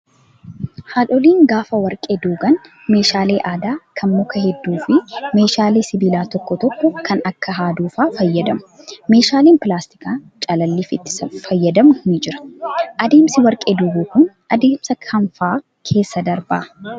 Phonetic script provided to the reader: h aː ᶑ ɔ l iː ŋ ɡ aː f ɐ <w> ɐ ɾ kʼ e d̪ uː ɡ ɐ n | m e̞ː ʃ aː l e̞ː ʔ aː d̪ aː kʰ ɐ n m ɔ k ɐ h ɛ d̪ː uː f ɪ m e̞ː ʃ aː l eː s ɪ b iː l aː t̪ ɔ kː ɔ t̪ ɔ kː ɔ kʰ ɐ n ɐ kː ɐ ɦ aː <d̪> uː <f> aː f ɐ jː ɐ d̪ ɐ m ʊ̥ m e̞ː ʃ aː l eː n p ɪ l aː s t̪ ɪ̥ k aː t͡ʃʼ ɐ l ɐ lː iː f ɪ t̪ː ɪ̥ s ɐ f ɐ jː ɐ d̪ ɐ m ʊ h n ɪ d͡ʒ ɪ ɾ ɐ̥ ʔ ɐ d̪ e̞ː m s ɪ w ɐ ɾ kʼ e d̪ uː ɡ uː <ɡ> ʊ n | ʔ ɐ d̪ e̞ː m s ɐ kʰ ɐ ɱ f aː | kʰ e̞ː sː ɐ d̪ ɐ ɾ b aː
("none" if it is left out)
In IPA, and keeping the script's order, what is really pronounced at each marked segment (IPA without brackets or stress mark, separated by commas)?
w, d̪, f, k